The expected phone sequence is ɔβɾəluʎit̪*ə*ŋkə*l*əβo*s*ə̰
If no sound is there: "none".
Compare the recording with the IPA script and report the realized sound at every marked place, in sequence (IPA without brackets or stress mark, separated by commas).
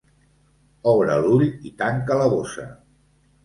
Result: a, l, s